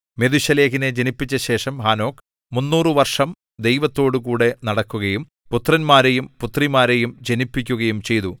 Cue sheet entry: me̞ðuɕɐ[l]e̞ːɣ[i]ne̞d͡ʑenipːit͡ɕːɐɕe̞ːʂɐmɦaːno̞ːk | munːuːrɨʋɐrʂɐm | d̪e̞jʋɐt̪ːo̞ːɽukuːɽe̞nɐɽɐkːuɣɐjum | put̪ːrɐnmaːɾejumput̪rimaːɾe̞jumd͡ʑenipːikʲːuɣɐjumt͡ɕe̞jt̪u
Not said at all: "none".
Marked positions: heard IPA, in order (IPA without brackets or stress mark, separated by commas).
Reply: l, i